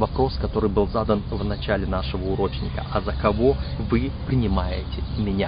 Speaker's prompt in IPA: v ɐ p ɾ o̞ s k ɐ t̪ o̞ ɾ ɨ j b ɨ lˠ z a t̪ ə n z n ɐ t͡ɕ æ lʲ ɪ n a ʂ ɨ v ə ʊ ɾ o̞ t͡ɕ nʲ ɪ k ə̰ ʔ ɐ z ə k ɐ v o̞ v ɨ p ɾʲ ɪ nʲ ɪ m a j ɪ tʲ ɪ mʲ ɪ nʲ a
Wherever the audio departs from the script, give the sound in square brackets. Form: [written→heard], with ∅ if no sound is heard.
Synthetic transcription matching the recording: v ɐ p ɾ o̞ s k ɐ t̪ o̞ ɾ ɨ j b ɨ lˠ z a [t̪→d̪] ə n [z→v] n ɐ t͡ɕ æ lʲ ɪ n a ʂ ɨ v ə ʊ ɾ o̞ t͡ɕ nʲ ɪ k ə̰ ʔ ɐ z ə k ɐ v o̞ v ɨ p ɾʲ ɪ nʲ ɪ m a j ɪ tʲ ɪ mʲ ɪ nʲ a